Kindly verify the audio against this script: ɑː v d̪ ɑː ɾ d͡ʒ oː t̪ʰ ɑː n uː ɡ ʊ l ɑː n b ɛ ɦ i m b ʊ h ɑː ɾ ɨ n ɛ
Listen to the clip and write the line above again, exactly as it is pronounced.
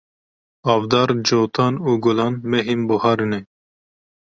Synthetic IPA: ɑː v d̪ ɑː ɾ d͡ʒ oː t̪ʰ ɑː n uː ɡ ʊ l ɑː n m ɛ ɦ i m b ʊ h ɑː ɾ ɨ n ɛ